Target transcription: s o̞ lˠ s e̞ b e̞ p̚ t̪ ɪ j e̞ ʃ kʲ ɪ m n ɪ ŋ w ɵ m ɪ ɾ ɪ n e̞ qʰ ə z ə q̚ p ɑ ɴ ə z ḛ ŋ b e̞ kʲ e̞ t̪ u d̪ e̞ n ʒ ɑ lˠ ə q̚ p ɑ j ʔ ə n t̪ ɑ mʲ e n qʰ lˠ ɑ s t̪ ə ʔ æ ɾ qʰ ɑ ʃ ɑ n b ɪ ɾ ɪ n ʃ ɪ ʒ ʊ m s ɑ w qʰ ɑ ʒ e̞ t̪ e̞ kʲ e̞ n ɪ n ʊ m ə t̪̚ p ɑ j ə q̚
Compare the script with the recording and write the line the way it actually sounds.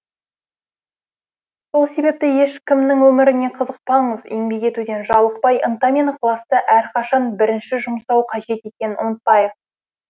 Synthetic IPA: s o̞ lˠ s e̞ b e̞ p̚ t̪ ɪ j e̞ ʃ kʲ ɪ m n ɪ ŋ w ɵ m ɪ ɾ ɪ n e̞ qʰ ə z ə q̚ p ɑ ɴ ə z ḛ ŋ b e̞ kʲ e̞ t̪ u d̪ e̞ n ʒ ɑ lˠ ə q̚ p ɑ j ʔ ə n t̪ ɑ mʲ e n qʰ lˠ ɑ s t̪ ə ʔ æ ɾ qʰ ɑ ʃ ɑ n b ɪ ɾ ɪ n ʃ ɪ ʒ ʊ m s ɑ w qʰ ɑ ʒ e̞ t̪ e̞ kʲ e̞ n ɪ n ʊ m ə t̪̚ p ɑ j ə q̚